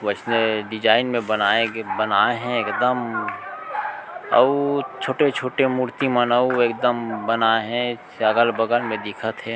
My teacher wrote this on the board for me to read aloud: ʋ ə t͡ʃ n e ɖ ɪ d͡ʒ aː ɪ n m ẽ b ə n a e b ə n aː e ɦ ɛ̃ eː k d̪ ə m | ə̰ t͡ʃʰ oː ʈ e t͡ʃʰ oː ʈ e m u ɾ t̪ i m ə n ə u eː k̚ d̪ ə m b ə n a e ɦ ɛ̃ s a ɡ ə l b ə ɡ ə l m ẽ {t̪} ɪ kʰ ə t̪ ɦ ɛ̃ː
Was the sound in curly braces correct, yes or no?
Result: no